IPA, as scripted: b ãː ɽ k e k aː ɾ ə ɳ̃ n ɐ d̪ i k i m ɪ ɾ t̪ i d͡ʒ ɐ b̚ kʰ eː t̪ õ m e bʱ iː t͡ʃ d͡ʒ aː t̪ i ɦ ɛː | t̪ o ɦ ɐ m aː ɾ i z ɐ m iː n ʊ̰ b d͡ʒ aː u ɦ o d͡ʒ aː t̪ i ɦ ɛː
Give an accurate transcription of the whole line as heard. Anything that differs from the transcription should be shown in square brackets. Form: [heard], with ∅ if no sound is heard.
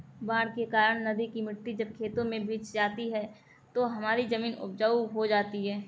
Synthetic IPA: b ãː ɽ k e k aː ɾ ə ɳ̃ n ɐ d̪ i k i m ɪ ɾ t̪ i d͡ʒ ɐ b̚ kʰ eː t̪ õ m [ẽ] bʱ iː t͡ʃ d͡ʒ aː t̪ i ɦ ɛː | t̪ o ɦ ɐ m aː ɾ i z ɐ m iː n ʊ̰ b d͡ʒ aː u ɦ o d͡ʒ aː t̪ i ɦ ɛː

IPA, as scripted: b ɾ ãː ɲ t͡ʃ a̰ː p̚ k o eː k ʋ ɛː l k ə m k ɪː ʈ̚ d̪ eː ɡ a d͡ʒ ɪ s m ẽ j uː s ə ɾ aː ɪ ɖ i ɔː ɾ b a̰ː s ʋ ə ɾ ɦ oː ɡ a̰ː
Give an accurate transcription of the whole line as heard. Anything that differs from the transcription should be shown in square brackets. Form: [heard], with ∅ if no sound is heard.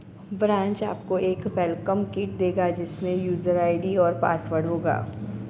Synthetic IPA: b ɾ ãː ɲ t͡ʃ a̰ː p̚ k o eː k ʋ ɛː l k ə m k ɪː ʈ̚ d̪ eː ɡ a d͡ʒ ɪ s m ẽ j uː [z] ə ɾ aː ɪ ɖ i ɔː ɾ [p] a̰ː s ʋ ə [ɽ] ɦ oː ɡ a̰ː

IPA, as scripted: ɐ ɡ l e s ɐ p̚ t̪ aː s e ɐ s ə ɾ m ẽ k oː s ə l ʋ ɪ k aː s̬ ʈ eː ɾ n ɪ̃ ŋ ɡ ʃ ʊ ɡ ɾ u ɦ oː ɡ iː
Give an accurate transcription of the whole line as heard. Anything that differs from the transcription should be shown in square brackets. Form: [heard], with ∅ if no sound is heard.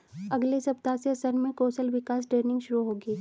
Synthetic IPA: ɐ ɡ l e s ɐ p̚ t̪ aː s e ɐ s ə ɾ m ẽ k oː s ə l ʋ ɪ k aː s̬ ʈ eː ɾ n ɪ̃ ŋ ɡ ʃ ʊ [∅] ɾ u ɦ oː ɡ iː

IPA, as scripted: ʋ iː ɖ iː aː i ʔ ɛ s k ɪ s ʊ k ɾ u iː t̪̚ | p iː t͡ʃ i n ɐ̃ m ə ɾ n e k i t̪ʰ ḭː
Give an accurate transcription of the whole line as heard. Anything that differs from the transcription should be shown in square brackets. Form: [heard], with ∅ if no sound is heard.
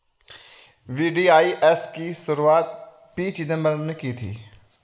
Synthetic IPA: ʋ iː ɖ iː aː i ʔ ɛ s k [i] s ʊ [∅] ɾ u [aː] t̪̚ | p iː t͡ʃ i n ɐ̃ m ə ɾ n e k i t̪ʰ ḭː

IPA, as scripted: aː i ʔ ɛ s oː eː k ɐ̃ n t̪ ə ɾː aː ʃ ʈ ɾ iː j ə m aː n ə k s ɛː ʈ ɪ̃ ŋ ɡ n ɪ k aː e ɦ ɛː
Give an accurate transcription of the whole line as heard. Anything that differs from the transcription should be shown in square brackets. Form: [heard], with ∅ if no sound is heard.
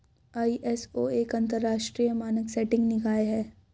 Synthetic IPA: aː i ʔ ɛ s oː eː k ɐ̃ n t̪ ə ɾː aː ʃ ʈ ɾ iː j ə m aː n ə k s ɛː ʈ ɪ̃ ŋ ɡ n ɪ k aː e ɦ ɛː

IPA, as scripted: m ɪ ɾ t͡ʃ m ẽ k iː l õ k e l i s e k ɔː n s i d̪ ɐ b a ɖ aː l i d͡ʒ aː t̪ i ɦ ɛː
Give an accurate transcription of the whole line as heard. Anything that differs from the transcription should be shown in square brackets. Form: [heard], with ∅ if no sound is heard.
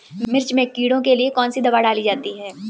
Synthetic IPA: m ɪ ɾ t͡ʃ m ẽ k iː [ɽ] õ k e l i [∅] e k ɔː n s i d̪ ɐ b a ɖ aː l i d͡ʒ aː t̪ i ɦ ɛː

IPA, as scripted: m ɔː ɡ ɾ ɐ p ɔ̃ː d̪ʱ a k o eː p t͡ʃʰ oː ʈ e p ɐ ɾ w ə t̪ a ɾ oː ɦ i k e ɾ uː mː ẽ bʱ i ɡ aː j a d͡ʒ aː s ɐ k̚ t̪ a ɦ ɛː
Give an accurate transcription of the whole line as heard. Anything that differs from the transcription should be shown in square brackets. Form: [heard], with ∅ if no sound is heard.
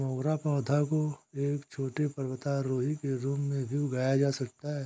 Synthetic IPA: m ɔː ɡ ɾ [a] p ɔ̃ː d̪ʱ a k o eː [k] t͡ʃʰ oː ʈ e p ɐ ɾ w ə t̪ a ɾ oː ɦ i k e ɾ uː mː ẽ bʱ i ɡ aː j a d͡ʒ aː s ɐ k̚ t̪ a ɦ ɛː

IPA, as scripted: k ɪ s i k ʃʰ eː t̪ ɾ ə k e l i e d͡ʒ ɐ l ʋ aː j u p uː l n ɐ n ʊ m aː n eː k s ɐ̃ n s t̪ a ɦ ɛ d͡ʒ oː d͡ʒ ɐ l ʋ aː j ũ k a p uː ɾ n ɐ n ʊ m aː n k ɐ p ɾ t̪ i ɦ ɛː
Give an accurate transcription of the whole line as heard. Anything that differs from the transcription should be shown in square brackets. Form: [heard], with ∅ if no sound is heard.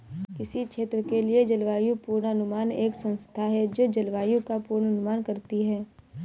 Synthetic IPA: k ɪ s i k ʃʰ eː t̪ ɾ ə k e l i e d͡ʒ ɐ l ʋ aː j u p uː [ɾ] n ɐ n ʊ m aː n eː k s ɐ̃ n s [t̪ʰ] a ɦ ɛ d͡ʒ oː d͡ʒ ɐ l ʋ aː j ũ k a p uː ɾ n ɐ n ʊ m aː n k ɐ [∅] ɾ t̪ i ɦ ɛː

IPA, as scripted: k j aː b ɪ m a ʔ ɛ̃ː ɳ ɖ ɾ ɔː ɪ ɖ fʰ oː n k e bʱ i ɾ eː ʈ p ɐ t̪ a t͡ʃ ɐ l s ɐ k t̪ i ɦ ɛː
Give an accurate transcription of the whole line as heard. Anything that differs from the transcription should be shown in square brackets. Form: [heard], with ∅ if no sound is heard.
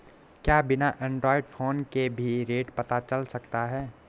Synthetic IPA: k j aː b ɪ [n] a ʔ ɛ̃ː ɳ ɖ ɾ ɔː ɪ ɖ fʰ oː n k e bʱ i ɾ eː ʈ p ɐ t̪ a t͡ʃ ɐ l s ɐ k t̪ [a] ɦ ɛː

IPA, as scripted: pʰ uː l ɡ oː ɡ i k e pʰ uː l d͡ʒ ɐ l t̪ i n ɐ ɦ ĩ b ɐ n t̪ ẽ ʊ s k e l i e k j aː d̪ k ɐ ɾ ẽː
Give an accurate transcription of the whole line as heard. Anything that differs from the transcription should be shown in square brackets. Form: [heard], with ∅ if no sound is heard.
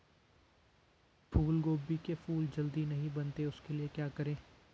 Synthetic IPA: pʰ uː l ɡ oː [b] i k e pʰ uː l d͡ʒ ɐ l [d̪] i n ɐ ɦ ĩ b ɐ n t̪ [e] ʊ s k e l i e k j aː [∅] k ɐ ɾ ẽː

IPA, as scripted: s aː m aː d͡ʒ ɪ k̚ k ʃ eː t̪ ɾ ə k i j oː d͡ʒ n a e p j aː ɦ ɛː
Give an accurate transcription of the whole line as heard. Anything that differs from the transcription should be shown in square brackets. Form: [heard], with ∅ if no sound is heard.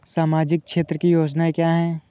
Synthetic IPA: s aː m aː d͡ʒ ɪ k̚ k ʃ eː t̪ ɾ ə k i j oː d͡ʒ n a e [k] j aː ɦ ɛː

